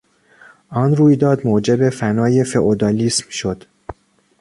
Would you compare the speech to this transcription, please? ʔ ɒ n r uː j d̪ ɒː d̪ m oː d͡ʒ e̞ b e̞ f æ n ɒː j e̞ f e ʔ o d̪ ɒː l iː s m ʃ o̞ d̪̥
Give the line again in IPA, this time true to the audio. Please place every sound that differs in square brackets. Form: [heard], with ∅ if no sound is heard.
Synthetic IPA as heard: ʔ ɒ n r uː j d̪ ɒː d̪ m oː d͡ʒ e̞ b e̞ f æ n ɒː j e̞ f e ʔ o d̪ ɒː l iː s m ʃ o̞ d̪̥